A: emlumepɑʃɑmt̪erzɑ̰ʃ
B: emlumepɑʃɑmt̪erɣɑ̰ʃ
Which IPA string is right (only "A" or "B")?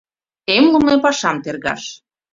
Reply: B